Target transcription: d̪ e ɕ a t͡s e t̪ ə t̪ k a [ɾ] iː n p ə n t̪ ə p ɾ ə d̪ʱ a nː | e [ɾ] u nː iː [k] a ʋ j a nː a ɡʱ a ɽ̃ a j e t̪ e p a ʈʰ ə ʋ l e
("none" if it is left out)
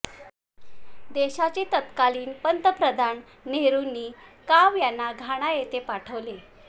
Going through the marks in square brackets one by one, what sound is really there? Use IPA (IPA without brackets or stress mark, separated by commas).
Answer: l, ɾ, k